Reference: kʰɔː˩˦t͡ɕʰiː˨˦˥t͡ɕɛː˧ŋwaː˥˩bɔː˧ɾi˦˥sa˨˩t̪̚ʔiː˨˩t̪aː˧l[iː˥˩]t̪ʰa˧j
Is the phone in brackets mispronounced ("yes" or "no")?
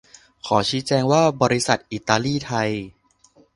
no